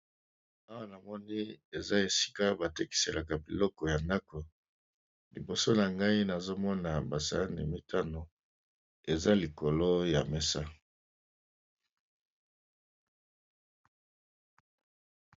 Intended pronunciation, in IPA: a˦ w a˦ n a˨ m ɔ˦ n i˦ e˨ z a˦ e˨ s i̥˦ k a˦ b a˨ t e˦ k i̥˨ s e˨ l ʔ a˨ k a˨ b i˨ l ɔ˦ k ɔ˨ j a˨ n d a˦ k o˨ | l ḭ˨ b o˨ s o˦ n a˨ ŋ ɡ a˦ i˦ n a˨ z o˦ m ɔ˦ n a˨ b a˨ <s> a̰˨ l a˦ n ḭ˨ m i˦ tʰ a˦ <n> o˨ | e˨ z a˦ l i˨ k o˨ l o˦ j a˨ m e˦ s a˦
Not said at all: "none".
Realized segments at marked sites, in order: s, n

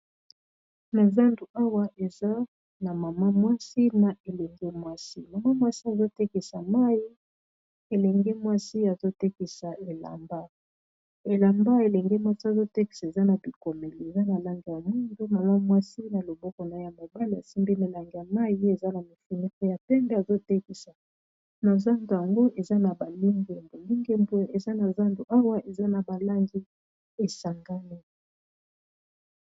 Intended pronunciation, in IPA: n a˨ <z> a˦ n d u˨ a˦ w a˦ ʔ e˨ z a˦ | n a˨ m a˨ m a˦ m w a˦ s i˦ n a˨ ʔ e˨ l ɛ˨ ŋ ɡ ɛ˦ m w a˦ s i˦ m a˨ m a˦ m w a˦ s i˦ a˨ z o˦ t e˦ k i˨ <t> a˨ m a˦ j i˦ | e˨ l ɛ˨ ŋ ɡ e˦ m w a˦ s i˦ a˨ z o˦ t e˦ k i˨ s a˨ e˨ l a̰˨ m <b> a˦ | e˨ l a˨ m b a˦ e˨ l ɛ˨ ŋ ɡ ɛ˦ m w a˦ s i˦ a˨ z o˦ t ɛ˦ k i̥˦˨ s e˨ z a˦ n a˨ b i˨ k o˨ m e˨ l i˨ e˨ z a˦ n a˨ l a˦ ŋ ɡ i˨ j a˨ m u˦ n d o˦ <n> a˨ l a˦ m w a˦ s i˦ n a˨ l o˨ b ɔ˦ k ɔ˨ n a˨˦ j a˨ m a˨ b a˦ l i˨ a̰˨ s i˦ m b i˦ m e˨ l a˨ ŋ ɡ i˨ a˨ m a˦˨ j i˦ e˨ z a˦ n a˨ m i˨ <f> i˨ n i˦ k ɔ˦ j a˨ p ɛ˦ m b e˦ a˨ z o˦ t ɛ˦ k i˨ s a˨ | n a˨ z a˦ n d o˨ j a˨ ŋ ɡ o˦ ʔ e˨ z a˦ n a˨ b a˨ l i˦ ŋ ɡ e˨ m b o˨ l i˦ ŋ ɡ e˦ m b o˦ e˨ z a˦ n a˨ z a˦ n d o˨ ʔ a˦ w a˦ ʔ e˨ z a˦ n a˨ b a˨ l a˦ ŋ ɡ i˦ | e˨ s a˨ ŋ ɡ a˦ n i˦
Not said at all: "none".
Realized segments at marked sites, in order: z, s, b, m, f

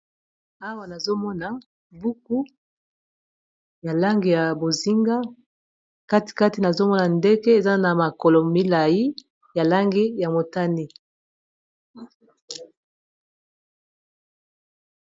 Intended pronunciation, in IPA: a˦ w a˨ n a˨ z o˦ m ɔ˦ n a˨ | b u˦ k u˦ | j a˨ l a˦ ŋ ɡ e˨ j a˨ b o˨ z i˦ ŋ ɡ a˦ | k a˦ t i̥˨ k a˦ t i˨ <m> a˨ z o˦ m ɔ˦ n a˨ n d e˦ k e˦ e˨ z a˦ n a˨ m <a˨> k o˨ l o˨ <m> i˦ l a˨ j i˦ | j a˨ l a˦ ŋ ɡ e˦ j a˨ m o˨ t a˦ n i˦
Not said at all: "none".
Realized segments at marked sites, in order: n, a˨, m

